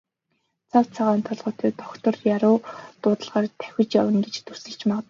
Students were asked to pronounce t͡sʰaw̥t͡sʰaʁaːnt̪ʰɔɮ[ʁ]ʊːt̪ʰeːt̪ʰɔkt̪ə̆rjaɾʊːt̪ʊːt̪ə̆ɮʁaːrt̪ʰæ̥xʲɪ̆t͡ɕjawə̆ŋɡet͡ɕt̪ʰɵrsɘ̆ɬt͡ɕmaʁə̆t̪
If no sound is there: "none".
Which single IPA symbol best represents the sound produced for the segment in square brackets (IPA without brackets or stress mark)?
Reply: ʁ